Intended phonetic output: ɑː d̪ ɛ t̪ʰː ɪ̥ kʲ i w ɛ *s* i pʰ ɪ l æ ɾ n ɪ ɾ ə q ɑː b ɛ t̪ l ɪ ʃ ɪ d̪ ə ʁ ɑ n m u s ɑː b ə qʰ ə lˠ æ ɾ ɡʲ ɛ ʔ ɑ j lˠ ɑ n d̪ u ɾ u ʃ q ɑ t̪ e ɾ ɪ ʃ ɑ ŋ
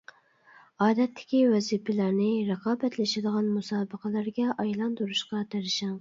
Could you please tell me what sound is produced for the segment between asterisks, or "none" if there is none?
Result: z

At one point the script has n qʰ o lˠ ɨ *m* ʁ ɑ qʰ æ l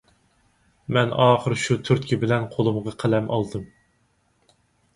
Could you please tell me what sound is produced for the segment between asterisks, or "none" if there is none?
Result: m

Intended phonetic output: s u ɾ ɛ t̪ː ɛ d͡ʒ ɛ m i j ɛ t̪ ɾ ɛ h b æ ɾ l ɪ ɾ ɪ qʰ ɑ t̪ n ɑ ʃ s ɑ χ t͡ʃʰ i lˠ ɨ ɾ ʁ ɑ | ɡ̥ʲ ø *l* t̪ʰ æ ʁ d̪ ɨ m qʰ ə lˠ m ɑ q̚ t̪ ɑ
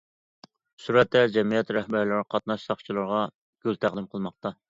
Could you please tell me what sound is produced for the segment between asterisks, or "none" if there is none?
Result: l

